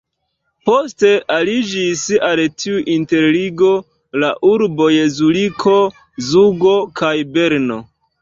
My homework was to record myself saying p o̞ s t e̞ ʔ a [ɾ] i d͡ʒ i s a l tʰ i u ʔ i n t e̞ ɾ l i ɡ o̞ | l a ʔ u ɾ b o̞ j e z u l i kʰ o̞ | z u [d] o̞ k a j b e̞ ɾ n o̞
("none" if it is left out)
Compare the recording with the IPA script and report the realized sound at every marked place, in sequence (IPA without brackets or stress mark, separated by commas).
l, ɡ